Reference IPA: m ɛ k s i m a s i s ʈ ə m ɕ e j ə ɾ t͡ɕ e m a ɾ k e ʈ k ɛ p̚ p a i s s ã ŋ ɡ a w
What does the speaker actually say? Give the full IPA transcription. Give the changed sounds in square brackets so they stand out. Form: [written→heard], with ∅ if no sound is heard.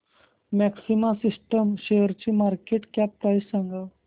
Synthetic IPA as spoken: m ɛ k s i m a s i s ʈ ə m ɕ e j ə ɾ t͡ɕ [e→i] m a ɾ k e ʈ k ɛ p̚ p a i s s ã ŋ ɡ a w